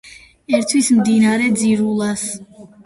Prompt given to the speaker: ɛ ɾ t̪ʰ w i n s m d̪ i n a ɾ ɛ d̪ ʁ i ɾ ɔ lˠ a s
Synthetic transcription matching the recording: ɛ ɾ t̪ʰ w i s m d̪ i n a ɾ ɛ d̪ z i ɾ u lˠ a s